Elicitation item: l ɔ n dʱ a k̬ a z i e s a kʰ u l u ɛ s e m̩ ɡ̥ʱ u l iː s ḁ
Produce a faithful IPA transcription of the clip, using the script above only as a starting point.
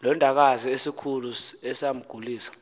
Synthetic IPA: l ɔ n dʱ a k̬ a z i e s i kʰ u l u ɛ s a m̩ ɡ̥ʱ u l iː s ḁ